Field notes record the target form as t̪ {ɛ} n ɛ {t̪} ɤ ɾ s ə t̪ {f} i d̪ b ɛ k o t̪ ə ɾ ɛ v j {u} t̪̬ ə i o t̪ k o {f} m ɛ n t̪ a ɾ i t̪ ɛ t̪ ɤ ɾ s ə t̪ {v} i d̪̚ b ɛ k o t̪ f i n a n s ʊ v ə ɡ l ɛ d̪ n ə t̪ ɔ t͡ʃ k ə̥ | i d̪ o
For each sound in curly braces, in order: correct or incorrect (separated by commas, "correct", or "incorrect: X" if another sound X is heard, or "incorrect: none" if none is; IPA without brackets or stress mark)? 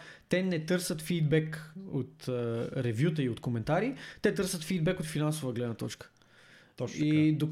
correct, correct, correct, correct, incorrect: none, incorrect: f